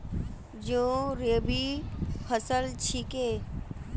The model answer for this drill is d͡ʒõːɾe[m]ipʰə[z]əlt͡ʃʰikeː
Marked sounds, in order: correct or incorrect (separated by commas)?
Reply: incorrect, incorrect